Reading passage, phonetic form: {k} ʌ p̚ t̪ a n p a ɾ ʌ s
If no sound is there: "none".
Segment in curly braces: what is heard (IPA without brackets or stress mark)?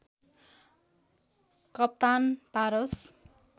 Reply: k